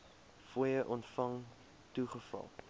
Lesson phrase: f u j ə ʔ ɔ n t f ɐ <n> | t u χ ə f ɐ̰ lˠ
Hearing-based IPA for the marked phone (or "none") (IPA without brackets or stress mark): ŋ